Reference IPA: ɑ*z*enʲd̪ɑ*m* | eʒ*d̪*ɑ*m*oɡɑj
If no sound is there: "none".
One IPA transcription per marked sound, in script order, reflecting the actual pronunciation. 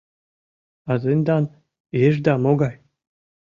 z, n, d̪, m

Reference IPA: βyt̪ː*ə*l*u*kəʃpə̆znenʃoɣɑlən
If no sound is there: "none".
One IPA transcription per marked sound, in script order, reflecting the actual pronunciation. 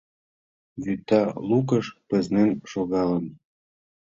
ɑ, u

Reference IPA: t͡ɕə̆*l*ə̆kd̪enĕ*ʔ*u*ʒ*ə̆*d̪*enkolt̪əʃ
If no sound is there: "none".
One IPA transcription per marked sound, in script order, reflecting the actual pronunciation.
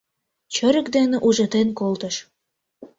ɾ, ʔ, ʒ, t̪

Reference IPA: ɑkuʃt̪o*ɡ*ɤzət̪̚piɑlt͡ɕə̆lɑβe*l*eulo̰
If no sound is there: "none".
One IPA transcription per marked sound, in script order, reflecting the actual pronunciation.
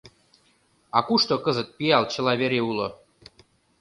k, ɾ

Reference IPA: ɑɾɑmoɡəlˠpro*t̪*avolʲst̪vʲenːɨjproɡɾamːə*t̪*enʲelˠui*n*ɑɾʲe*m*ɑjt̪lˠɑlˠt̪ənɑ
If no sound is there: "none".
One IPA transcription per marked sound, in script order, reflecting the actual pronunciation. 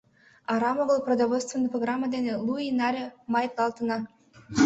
d̪, d̪, n, m

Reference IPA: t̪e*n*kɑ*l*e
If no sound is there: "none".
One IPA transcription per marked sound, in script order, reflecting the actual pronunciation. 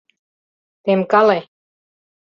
m, l

